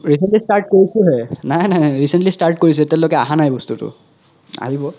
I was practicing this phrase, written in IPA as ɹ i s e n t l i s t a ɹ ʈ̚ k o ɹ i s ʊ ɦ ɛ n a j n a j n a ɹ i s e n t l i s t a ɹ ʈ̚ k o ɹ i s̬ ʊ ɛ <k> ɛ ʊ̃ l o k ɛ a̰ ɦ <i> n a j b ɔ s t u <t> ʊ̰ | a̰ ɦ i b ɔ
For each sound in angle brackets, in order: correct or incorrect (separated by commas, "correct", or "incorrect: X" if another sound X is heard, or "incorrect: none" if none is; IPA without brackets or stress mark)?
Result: incorrect: t, incorrect: a, correct